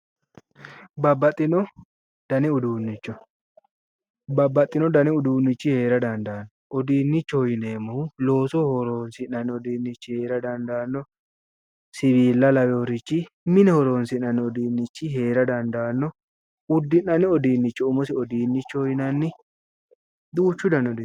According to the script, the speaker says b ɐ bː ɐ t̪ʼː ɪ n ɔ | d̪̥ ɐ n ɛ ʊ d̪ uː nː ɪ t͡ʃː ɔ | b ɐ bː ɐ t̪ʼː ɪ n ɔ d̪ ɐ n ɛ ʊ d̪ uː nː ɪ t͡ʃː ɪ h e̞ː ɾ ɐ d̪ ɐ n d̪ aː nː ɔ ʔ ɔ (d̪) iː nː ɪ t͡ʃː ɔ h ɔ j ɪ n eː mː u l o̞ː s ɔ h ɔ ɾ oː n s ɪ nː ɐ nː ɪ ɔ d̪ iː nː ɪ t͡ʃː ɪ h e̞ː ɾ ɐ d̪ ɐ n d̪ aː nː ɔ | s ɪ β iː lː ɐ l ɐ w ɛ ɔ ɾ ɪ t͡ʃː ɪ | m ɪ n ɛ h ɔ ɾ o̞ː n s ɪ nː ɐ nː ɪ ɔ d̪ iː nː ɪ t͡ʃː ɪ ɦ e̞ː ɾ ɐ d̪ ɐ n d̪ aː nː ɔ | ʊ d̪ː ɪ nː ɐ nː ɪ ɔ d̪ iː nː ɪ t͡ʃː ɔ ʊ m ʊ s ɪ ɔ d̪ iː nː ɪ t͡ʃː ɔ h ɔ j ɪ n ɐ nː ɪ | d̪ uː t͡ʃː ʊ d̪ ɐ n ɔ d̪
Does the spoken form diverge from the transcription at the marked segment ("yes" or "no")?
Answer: no